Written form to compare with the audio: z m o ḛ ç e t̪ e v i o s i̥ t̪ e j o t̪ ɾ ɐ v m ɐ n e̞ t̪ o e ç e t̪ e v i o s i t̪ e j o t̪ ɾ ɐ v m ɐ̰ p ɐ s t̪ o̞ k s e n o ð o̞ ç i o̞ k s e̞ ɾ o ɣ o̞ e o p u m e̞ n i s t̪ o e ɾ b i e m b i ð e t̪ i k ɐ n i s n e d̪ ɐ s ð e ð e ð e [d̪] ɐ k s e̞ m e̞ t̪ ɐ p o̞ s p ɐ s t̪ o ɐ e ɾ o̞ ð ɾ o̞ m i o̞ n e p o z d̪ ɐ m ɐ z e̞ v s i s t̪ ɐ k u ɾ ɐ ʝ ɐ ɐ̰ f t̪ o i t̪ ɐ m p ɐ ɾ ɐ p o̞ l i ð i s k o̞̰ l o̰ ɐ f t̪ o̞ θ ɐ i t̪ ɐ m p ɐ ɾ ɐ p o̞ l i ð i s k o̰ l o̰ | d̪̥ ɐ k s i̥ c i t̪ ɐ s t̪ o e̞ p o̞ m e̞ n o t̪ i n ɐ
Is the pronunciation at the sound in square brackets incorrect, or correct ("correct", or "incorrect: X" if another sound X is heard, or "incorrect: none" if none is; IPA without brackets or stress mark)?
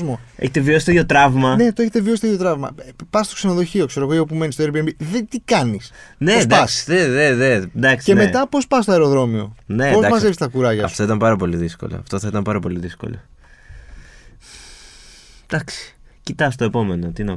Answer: correct